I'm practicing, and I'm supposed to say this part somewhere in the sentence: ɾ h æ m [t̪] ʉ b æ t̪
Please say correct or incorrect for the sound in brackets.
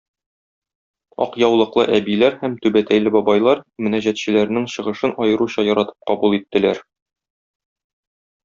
correct